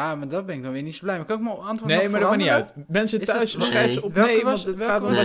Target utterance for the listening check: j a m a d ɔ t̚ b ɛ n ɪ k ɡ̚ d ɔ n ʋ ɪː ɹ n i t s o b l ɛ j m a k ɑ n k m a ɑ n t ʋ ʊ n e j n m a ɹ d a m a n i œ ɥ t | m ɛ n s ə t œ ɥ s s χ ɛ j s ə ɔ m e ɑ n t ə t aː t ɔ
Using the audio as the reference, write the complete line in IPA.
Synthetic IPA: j a m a d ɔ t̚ b ɛ n ɪ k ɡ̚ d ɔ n ʋ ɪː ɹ n i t s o b l ɛ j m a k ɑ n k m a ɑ n t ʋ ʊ n e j m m a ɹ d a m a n i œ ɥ t | m ɛ n s ə t œ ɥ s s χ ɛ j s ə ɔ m e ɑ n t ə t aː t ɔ